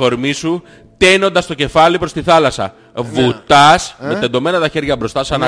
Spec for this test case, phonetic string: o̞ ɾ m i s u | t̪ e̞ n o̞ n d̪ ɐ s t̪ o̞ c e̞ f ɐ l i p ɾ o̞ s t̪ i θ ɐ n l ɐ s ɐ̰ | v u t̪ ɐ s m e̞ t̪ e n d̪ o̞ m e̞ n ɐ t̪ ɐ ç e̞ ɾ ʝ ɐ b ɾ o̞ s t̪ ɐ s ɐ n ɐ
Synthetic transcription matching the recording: o̞ ɾ m i s u | t̪ e̞ n o̞ n d̪ ɐ s t̪ o̞ c e̞ f ɐ l i p ɾ o̞ s t̪ i θ ɐ l ɐ s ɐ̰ | v u t̪ ɐ s m e̞ t̪ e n d̪ o̞ m e̞ n ɐ t̪ ɐ ç e̞ ɾ ʝ ɐ b ɾ o̞ s t̪ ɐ s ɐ n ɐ